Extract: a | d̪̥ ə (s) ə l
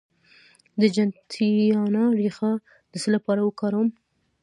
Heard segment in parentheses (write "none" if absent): s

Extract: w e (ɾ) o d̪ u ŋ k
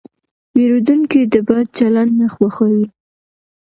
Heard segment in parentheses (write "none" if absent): ɾ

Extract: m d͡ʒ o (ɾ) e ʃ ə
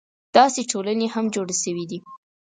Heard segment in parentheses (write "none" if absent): ɽ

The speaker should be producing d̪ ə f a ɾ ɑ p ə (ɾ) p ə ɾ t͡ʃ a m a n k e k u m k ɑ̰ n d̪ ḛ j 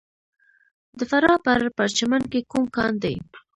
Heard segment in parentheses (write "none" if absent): ɾ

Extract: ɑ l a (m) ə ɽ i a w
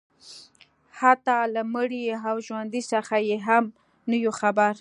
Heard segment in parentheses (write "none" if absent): m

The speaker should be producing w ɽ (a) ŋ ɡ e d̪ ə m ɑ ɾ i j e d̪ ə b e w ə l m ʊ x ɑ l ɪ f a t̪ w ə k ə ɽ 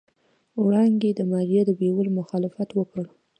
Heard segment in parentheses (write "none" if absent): ɑ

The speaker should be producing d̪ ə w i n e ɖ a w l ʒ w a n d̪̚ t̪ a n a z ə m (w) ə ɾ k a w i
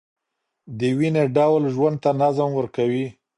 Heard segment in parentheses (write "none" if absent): w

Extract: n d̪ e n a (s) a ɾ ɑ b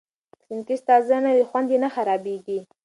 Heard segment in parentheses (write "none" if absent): x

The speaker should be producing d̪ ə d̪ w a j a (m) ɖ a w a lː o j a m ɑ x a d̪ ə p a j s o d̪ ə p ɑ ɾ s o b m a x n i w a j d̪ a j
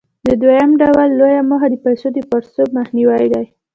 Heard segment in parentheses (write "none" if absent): m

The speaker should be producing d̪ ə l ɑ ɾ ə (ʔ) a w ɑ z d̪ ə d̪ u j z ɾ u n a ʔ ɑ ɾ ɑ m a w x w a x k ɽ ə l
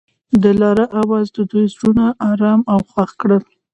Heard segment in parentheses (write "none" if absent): ʔ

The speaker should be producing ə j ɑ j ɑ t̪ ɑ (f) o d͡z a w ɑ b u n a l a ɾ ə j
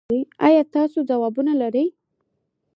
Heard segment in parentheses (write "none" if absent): s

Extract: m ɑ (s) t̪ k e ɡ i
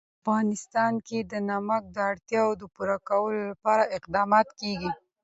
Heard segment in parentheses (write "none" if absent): none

